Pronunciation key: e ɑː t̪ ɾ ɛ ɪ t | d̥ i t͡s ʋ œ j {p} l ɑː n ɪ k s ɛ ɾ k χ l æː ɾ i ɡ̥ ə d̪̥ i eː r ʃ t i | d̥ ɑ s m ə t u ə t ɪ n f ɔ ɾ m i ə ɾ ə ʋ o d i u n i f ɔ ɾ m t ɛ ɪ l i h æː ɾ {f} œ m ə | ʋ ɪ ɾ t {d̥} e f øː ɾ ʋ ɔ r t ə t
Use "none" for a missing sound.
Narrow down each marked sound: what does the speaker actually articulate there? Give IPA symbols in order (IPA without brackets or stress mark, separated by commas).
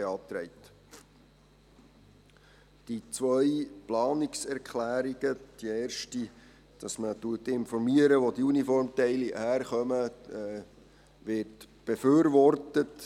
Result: p, χ, b̥